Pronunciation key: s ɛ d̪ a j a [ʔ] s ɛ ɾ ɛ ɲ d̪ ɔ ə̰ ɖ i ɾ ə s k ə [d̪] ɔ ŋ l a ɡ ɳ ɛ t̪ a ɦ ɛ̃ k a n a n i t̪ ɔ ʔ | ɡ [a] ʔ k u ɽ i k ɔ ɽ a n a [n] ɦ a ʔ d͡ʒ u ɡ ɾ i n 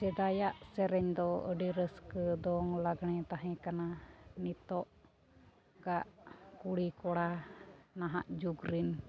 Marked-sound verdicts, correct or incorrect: correct, correct, correct, incorrect

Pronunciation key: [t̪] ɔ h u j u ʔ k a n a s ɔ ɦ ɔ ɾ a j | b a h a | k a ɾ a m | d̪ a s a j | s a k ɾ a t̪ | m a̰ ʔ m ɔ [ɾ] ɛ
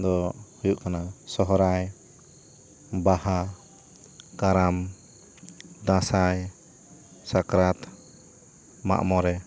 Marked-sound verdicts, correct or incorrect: incorrect, correct

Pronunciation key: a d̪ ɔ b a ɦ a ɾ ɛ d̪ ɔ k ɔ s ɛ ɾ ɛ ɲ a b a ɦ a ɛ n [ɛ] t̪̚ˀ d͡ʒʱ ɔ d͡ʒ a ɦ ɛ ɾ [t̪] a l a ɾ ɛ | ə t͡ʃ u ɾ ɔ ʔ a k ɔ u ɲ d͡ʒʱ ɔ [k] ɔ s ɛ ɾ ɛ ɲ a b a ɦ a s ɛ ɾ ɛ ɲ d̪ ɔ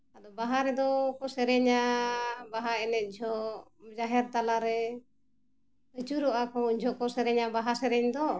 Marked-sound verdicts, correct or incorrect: correct, correct, correct

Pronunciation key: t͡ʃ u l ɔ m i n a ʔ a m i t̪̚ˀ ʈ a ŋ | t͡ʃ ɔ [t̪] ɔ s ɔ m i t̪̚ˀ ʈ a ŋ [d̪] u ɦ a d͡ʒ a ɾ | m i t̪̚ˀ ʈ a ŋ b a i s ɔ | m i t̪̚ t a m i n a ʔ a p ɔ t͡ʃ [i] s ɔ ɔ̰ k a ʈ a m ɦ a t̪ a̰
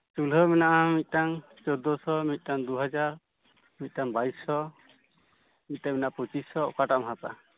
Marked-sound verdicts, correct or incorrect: incorrect, correct, correct

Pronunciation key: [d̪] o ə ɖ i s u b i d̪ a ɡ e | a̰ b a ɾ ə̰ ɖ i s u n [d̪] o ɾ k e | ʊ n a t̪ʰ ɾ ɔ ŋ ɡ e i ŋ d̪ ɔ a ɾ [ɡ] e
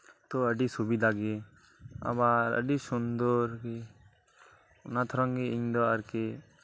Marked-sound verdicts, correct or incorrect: incorrect, correct, incorrect

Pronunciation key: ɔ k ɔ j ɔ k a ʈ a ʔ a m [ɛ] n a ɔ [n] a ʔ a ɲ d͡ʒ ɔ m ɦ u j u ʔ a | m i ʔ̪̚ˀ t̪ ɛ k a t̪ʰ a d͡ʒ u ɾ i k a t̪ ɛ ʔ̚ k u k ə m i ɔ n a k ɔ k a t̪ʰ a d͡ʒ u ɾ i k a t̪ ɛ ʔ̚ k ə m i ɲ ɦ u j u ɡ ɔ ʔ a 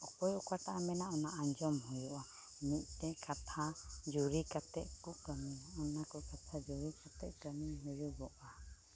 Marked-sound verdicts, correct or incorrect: correct, correct

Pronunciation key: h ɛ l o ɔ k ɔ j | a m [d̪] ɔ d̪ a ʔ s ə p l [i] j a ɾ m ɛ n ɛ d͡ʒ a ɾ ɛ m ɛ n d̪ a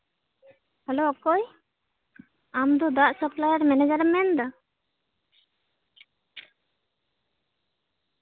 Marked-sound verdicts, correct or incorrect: correct, incorrect

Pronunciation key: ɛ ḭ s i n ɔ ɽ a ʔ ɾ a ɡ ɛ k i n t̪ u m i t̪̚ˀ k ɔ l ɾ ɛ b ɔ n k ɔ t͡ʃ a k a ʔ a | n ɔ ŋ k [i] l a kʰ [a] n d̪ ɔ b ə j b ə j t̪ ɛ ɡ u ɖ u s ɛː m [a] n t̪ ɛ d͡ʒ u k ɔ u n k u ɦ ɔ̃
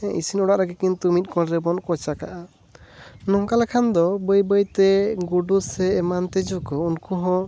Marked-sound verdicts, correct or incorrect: incorrect, correct, correct

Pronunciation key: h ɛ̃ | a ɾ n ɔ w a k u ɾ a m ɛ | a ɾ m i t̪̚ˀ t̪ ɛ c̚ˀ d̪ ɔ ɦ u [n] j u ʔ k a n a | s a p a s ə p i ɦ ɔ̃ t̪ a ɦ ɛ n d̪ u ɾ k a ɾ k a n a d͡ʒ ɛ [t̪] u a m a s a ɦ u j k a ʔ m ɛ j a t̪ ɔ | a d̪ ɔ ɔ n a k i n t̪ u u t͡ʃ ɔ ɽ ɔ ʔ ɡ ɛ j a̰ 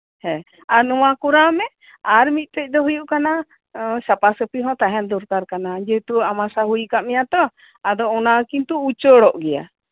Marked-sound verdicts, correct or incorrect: incorrect, correct

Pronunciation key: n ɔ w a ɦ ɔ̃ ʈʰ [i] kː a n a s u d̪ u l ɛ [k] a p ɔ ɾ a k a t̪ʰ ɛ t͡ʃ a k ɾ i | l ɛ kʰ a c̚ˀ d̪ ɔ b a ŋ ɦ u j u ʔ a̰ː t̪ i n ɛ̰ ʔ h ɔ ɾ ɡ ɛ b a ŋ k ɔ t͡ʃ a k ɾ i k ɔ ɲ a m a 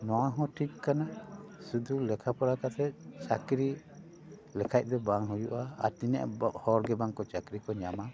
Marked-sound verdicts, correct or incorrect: correct, incorrect

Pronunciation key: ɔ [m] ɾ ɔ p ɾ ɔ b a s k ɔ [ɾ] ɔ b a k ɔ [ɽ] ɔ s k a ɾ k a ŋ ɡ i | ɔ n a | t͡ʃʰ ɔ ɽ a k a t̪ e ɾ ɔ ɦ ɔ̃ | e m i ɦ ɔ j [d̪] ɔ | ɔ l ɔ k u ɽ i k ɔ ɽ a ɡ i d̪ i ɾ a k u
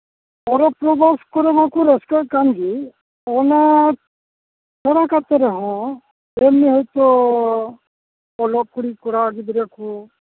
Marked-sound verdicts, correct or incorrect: incorrect, correct, incorrect, incorrect

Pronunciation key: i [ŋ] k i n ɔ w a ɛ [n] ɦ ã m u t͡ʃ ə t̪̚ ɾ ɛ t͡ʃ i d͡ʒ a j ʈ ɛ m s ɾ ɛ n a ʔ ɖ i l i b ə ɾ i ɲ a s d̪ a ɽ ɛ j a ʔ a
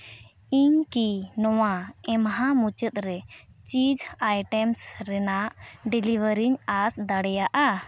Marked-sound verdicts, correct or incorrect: incorrect, incorrect

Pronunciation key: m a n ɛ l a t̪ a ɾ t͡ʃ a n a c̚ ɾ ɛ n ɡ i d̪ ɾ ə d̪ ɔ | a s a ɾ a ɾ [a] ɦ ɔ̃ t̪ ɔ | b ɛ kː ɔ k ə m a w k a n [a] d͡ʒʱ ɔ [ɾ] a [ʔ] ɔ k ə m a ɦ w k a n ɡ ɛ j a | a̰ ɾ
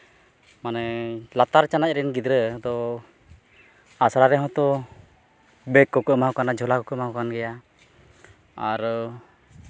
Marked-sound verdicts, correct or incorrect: incorrect, correct, incorrect, incorrect

